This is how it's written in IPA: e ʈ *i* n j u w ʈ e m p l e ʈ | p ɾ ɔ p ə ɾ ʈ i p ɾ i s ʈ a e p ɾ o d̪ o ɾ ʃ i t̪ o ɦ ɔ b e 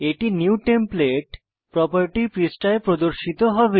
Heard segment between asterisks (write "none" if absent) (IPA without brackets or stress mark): i